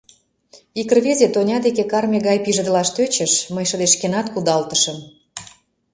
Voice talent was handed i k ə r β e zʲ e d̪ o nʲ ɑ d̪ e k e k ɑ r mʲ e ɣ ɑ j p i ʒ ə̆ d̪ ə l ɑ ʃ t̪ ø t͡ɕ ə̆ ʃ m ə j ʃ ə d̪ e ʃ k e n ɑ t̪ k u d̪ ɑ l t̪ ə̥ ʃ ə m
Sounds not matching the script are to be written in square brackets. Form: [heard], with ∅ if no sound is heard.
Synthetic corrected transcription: i k ə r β e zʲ e [t̪] o nʲ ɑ d̪ e k e k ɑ r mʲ e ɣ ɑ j p i ʒ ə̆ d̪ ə l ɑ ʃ t̪ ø t͡ɕ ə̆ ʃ m ə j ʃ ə d̪ e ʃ k e n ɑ t̪ k u d̪ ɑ l t̪ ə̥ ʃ ə m